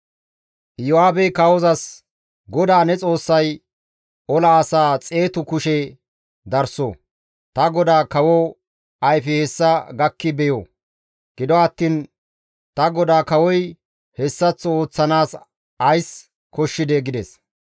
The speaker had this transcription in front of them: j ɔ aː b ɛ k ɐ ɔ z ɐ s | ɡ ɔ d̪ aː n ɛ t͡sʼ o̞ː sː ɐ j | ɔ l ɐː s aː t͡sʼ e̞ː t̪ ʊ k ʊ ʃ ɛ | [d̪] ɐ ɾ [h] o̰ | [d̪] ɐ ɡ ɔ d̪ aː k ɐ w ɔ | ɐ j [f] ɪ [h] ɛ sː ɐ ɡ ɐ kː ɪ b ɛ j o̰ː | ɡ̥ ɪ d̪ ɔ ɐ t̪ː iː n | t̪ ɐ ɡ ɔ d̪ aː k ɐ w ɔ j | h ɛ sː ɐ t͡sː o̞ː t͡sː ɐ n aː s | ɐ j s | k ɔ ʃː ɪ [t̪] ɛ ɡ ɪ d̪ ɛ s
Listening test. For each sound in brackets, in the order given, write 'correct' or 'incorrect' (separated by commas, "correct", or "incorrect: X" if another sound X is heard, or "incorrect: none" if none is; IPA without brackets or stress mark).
correct, incorrect: s, incorrect: t̪, correct, correct, incorrect: d̪